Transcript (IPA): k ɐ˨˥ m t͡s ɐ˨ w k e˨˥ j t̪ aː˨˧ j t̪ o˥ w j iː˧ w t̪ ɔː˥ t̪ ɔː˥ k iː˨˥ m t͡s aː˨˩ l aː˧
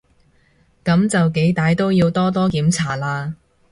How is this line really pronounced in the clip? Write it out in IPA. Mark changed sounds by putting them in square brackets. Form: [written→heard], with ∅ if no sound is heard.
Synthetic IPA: k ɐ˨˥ m t͡s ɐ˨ w k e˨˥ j t̪ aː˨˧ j t̪ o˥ w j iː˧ w t̪ ɔː˥ t̪ ɔː˥ k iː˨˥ m [t͡s→t͡sʰ] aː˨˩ l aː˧